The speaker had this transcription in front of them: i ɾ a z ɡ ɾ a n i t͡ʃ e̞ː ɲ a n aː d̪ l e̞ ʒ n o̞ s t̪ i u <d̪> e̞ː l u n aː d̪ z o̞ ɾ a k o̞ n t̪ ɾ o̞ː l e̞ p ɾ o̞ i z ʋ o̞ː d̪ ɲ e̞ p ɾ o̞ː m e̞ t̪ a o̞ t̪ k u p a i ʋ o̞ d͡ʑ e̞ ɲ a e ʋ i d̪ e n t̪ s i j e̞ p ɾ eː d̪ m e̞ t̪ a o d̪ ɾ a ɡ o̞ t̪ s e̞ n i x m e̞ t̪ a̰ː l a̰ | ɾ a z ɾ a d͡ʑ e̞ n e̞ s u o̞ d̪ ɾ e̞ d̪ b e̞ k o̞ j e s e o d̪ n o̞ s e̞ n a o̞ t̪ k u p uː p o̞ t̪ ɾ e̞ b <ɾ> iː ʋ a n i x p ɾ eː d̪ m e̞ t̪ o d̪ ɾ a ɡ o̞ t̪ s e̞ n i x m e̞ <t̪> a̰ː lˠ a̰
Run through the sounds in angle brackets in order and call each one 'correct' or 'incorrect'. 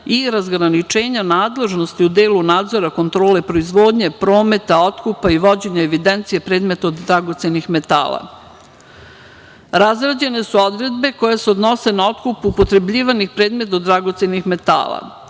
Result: correct, incorrect: ʎ, correct

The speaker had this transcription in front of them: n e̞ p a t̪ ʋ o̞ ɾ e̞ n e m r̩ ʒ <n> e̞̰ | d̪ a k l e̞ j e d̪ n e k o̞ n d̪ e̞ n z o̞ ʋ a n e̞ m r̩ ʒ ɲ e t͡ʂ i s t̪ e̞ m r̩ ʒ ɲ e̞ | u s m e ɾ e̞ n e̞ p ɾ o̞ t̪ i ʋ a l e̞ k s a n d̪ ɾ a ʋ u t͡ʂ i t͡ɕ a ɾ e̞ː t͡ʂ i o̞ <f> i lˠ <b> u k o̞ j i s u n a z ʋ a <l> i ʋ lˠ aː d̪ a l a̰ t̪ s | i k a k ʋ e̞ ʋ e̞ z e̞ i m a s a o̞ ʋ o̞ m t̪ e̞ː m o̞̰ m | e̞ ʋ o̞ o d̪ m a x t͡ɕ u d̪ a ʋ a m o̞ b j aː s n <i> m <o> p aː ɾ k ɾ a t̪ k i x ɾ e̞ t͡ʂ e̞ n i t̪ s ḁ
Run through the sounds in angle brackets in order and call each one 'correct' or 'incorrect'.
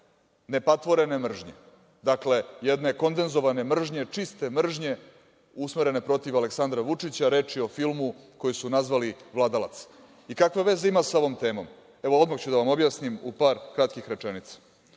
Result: incorrect: ɲ, correct, incorrect: m, correct, correct, incorrect: u

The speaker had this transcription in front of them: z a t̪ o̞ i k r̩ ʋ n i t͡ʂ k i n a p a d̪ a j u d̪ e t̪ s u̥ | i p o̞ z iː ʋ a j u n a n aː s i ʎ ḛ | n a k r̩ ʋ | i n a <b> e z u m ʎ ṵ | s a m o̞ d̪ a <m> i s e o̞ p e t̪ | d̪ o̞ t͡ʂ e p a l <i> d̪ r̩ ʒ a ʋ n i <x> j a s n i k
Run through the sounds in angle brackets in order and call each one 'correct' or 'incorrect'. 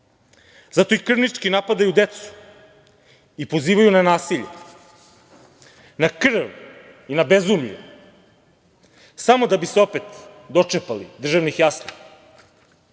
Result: correct, incorrect: b, correct, correct

